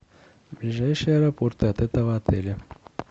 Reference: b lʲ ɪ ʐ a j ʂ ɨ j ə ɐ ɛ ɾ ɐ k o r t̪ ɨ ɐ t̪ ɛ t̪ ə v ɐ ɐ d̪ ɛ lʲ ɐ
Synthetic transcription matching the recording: b lʲ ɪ ʐ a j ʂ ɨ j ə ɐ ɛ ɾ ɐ p o r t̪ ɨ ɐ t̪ ɛ t̪ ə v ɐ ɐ t̪ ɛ lʲ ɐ